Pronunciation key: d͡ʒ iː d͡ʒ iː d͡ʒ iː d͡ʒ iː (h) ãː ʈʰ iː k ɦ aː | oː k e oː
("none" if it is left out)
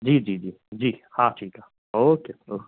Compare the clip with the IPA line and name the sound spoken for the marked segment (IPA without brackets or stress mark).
h